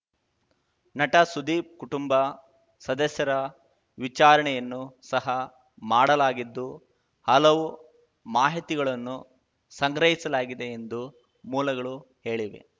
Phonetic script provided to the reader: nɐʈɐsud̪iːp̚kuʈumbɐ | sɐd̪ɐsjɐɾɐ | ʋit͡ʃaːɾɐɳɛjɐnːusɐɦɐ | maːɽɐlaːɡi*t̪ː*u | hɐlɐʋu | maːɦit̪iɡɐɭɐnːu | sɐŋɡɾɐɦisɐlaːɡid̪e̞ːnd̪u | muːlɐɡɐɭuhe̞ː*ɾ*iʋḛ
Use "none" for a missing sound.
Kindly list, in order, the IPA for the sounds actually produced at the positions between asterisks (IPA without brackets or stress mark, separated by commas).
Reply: d̪ː, ɭ